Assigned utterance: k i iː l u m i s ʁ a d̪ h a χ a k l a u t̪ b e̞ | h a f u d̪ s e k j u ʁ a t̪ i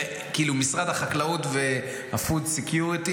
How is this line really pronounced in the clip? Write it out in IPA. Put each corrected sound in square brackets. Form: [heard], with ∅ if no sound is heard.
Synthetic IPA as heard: k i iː l u m i s ʁ a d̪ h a χ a k l a u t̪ [v] e̞ | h a f u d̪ s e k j u ʁ [i] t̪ i